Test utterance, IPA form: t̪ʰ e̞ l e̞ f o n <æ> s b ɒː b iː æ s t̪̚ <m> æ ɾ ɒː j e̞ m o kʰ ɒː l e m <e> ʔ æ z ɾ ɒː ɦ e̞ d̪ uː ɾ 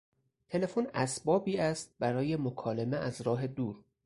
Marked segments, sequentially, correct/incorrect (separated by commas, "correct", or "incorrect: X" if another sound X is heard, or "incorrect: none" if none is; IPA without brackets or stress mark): correct, incorrect: b, correct